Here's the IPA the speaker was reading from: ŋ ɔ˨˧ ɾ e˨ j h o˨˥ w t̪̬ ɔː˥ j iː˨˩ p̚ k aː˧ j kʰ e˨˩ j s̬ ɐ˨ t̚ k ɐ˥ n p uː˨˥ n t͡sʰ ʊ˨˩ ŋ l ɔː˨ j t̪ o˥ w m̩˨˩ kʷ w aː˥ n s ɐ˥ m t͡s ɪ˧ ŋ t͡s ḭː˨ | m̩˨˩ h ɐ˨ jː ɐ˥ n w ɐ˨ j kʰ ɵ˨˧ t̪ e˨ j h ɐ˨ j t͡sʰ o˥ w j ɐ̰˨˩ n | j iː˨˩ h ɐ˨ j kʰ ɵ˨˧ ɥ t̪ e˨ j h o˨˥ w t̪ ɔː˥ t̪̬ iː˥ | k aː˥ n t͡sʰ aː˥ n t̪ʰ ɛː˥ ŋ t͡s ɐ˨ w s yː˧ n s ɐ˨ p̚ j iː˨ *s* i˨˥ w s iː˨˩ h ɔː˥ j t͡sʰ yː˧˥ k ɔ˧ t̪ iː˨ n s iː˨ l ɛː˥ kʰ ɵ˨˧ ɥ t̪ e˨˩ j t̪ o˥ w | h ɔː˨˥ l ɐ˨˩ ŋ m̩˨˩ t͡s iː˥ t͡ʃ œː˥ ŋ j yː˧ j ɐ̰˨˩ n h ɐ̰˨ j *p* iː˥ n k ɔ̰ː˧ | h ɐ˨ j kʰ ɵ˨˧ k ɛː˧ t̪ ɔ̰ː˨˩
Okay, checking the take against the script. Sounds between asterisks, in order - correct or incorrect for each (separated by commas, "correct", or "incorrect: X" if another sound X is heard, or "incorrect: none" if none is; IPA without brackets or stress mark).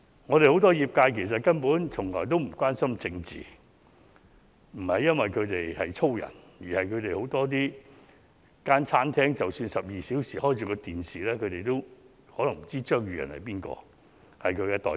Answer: correct, correct